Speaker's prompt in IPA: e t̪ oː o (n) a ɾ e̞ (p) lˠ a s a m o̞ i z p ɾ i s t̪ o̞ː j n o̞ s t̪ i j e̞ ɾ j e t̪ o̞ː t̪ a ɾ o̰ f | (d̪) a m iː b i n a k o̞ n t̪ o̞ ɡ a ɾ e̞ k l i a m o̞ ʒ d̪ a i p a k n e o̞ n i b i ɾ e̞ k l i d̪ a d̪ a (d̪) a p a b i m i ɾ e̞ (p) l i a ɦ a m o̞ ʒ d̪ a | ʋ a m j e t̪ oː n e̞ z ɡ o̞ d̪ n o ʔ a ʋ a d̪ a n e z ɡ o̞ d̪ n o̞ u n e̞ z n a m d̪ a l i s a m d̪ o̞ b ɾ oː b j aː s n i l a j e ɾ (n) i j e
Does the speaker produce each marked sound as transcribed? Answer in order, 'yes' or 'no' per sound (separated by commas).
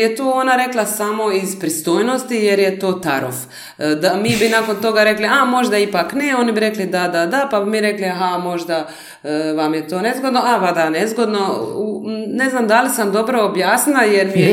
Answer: yes, no, yes, yes, no, no